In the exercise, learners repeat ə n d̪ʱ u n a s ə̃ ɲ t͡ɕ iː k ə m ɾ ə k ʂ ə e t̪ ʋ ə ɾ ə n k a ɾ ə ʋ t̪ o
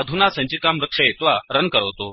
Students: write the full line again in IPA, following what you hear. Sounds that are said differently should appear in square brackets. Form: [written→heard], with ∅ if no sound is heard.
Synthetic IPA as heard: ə [n→∅] d̪ʱ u n a s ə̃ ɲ t͡ɕ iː k [ə→a] m ɾ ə k ʂ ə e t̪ ʋ [ə→a] ɾ ə n k [a→ə] ɾ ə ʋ t̪ o